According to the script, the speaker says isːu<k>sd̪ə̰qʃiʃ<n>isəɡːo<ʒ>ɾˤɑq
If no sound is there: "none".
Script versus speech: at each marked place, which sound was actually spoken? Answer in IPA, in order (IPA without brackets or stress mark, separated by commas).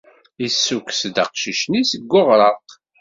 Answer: k, n, ʁ